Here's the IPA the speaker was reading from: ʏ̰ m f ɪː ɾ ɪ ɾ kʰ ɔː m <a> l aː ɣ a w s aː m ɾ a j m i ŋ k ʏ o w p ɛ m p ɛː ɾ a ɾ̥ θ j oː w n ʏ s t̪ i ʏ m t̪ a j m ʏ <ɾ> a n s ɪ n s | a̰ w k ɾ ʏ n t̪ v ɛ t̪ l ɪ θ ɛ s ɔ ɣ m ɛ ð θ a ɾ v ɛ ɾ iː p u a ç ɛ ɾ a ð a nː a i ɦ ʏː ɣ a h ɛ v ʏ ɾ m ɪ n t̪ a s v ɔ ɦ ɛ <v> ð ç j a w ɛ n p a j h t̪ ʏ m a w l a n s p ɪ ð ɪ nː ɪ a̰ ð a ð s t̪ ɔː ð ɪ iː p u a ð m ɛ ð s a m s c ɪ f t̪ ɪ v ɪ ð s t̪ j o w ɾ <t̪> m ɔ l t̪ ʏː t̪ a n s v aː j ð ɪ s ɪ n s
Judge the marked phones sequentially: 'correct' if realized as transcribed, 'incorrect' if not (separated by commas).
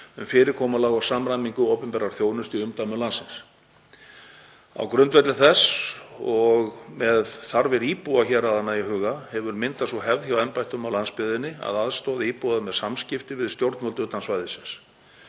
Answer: correct, incorrect, correct, correct